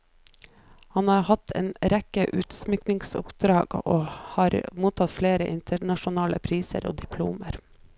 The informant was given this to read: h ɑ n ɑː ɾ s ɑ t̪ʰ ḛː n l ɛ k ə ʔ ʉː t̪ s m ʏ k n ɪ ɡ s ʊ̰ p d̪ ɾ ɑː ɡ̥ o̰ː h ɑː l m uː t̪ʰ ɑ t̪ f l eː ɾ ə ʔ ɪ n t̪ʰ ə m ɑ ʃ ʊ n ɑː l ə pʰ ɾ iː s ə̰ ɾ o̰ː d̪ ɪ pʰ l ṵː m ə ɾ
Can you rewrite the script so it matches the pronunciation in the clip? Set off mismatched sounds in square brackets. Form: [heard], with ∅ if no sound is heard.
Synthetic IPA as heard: h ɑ n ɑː ɾ [h] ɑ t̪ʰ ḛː n [ɾ] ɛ k ə ʔ ʉː t̪ s m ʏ k n ɪ [ŋ] s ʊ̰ p d̪ ɾ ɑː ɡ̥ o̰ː h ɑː [ɾ] m uː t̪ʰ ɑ t̪ f l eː ɾ ə ʔ ɪ n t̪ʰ ə [ɳ] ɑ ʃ ʊ n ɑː l ə pʰ ɾ iː s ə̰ ɾ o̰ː d̪ ɪ pʰ l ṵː m ə ɾ